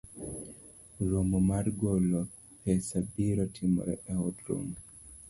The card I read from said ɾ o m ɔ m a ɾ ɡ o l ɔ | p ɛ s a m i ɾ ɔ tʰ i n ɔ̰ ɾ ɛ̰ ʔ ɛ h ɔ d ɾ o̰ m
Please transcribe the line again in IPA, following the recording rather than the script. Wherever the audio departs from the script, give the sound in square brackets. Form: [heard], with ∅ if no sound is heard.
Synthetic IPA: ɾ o m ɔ m a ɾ ɡ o l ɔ | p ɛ s a [b] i ɾ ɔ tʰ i [m] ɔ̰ ɾ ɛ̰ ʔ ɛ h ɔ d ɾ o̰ [ŋ]